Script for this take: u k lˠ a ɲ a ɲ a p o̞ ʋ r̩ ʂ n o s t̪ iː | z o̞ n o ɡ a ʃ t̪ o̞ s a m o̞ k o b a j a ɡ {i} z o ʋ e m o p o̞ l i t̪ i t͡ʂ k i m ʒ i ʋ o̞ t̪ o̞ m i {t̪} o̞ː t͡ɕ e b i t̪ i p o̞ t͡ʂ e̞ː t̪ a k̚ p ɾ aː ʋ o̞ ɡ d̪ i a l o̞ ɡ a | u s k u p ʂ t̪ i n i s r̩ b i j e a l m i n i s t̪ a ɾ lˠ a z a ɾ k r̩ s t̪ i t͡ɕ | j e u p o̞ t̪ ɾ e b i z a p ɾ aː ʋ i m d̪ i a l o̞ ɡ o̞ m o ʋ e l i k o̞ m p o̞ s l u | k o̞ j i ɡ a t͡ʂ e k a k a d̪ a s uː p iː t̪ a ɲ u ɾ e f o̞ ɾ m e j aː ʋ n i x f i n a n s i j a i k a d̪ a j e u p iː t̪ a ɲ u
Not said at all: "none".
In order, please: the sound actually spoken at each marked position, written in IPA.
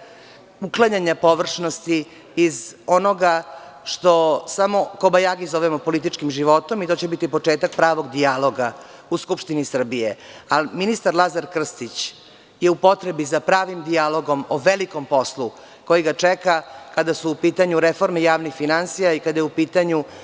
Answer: i, t̪

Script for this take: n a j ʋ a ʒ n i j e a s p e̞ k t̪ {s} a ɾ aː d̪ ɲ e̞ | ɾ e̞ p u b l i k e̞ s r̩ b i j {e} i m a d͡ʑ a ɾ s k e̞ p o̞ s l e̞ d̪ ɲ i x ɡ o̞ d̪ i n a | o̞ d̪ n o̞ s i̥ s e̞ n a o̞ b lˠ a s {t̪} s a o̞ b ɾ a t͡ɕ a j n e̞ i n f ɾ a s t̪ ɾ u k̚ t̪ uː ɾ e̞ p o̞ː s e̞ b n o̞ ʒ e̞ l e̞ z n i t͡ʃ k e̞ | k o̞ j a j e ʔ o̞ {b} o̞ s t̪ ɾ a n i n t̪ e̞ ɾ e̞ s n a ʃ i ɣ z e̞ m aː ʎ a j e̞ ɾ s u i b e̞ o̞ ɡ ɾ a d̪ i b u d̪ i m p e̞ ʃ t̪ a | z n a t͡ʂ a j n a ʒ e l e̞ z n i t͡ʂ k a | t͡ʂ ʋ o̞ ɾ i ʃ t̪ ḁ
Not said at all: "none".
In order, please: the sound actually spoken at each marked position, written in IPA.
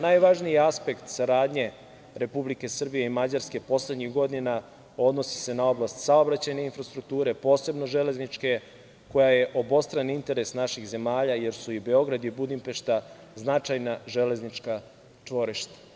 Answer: s, e, t̪, b

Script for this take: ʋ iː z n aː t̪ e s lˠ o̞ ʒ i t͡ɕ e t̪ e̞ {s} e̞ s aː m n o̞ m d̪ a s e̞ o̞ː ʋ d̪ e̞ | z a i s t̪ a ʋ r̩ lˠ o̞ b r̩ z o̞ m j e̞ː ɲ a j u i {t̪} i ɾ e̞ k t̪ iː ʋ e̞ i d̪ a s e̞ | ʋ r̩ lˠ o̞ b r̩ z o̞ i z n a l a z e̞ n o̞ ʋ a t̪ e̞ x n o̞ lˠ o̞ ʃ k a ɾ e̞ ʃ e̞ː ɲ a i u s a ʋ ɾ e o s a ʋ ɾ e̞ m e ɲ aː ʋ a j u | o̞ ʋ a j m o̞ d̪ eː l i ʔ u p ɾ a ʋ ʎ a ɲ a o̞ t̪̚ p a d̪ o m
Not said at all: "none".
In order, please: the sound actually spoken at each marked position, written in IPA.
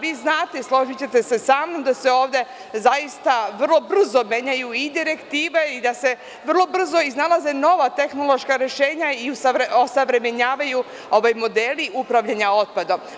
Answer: s, d̪

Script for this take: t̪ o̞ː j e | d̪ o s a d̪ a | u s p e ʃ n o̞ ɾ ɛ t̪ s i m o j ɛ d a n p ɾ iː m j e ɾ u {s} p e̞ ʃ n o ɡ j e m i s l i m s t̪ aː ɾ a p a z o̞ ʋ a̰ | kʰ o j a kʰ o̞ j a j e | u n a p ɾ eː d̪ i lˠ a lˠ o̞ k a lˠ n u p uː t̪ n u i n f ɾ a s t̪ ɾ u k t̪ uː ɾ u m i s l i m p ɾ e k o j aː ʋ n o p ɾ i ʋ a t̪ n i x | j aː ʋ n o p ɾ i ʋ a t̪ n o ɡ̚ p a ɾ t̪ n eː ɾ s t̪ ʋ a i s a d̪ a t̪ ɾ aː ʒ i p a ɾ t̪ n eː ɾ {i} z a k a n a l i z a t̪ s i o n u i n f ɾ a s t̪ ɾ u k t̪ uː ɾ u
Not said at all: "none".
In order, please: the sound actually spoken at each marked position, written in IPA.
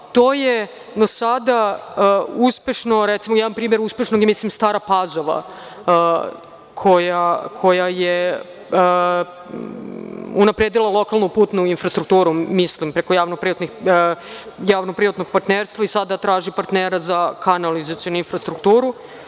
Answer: s, a

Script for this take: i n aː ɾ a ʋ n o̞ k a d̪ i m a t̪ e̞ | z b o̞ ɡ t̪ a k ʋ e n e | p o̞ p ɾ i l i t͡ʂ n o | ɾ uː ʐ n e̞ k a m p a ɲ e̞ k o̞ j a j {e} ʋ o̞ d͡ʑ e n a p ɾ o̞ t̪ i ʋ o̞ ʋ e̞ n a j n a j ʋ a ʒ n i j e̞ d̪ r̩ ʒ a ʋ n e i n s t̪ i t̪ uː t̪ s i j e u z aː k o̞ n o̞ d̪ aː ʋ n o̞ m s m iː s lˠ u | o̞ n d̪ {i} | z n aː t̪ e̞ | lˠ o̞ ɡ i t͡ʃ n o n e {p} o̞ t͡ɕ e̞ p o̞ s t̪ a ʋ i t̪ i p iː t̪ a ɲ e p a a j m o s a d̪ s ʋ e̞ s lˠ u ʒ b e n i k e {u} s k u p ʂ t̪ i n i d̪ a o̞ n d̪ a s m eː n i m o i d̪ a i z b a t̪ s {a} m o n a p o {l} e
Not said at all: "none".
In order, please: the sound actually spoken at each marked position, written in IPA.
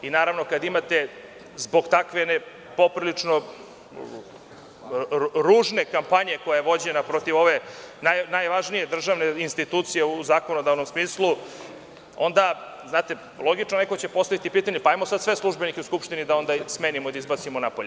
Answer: e, a, k, u, i, ʎ

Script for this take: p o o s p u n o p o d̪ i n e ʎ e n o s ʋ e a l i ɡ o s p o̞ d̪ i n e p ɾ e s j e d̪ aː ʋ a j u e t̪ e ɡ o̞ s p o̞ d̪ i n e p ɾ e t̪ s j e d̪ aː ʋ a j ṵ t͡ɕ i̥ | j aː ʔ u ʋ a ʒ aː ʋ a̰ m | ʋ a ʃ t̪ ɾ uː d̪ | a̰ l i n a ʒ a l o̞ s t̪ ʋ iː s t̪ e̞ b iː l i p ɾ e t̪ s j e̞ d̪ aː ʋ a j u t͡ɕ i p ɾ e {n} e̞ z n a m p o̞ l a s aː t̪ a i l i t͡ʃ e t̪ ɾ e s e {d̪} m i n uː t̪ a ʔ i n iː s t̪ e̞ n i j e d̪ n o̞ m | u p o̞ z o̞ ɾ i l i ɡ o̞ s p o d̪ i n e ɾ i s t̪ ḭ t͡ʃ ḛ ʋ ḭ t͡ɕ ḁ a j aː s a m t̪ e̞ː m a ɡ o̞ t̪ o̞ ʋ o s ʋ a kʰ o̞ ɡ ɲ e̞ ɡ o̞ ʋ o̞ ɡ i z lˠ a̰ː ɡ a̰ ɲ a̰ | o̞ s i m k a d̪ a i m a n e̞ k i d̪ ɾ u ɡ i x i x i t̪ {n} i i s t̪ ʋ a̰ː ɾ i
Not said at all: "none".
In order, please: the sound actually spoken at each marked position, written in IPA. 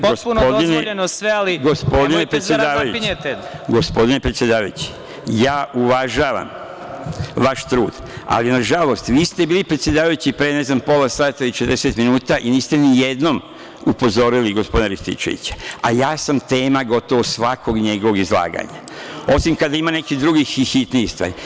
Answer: n, t̪, n

